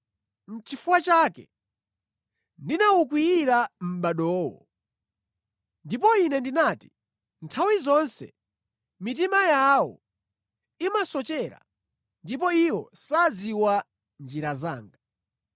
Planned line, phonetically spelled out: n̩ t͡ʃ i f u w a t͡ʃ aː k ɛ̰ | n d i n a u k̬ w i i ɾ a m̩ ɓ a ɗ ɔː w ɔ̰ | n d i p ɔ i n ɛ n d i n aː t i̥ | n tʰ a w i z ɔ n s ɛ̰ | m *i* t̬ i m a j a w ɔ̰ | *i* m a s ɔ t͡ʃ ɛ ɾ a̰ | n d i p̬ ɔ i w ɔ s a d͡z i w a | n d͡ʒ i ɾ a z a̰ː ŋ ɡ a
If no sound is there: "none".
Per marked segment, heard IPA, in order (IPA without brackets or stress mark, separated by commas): i, i